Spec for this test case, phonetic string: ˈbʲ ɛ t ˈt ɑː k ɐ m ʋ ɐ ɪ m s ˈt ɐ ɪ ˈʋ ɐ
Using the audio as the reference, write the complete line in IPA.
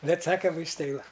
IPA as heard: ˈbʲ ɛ t ˈs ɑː k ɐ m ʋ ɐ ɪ s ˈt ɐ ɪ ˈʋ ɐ